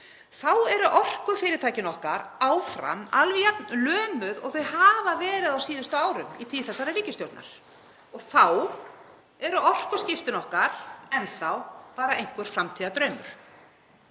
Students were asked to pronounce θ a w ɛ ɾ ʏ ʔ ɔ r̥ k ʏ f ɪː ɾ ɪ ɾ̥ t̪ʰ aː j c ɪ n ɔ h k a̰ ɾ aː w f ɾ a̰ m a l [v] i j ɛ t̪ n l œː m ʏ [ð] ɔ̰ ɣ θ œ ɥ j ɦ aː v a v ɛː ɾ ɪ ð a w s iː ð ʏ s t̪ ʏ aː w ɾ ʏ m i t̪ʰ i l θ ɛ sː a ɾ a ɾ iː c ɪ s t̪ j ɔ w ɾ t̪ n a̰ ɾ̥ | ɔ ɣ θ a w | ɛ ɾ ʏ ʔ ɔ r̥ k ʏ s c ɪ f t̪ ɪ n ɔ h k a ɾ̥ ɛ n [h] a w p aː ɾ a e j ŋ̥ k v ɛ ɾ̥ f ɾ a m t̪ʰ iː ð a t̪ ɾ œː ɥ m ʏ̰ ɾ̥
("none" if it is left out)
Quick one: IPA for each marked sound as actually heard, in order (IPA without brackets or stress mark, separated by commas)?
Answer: v, ð, θ